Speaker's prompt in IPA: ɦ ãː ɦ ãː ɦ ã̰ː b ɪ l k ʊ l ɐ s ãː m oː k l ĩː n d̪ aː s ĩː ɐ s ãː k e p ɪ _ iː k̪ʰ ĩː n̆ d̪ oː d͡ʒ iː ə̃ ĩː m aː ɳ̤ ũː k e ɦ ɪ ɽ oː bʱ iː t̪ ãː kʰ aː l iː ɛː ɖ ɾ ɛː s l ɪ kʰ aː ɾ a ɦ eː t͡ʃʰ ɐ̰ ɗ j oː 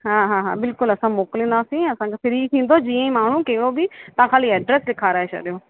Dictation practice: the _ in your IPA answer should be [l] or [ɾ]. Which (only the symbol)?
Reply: ɾ